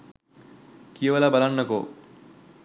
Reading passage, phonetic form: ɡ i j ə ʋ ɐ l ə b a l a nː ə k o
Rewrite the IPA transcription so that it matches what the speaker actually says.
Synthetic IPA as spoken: k i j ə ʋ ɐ l a b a l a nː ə k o

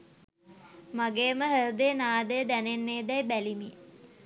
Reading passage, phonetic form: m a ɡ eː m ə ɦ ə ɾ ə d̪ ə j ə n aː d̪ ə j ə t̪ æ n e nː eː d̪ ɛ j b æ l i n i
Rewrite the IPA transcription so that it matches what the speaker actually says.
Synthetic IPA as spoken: m a ɡ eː m ə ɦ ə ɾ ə d̪ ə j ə n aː d̪ ə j ə d̪ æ n e nː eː d̪ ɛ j b æ l i m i

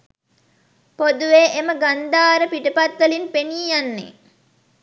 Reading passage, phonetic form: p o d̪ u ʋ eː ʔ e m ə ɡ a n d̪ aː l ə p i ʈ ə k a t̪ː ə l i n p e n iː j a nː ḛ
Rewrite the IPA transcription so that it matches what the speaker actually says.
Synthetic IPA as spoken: p o d̪ u ʋ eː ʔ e m ə ɡ a n d̪ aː ɾ ə p i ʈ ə p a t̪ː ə l i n p e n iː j a nː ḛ

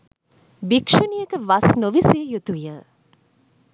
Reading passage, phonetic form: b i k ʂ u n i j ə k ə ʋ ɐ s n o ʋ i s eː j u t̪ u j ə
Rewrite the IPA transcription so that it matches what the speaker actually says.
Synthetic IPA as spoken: b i k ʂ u n i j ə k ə ʋ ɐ s n o ʋ i s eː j u t̪ u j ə

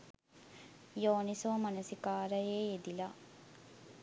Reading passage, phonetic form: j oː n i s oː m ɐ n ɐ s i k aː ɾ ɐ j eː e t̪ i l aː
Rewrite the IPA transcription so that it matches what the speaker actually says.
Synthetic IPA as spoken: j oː n i s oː m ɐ n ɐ s i k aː ɾ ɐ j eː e d̪ i l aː

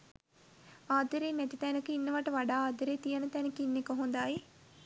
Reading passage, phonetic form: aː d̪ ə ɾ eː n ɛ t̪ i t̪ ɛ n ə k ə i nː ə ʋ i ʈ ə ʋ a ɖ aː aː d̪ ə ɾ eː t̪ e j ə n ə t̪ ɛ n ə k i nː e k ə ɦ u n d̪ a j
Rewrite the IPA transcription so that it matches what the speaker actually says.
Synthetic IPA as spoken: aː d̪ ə ɾ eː n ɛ t̪ i t̪ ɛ n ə k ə i nː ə ʋ a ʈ ə ʋ a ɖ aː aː d̪ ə ɾ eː t̪ i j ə n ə t̪ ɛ n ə k i nː e k ə ɦ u n d̪ a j

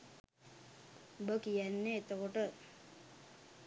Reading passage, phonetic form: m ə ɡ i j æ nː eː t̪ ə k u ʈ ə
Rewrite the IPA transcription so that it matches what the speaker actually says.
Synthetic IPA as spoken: b ə k i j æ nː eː t̪ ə k o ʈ ə

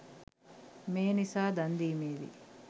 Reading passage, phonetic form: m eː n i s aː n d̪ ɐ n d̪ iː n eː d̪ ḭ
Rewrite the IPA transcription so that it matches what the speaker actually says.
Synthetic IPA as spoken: m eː n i s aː d̪ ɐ n d̪ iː m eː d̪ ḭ

